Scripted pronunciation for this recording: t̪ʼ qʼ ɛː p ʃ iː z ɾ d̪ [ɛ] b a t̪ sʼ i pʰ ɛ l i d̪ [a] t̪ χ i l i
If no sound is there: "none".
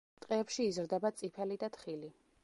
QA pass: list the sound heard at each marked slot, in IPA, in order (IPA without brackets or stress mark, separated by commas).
ɛ, a